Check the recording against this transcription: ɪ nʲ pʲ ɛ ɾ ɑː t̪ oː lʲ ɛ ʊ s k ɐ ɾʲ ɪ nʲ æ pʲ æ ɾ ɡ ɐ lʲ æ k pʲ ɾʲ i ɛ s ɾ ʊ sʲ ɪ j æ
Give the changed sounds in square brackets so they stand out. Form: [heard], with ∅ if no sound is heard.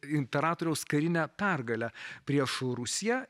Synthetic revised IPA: ɪ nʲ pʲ ɛ ɾ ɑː t̪ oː [ɾʲ] ɛ ʊ s k ɐ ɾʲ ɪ nʲ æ pʲ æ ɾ ɡ ɐ lʲ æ [∅] pʲ ɾʲ i ɛ [ʃ] ɾ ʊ sʲ ɪ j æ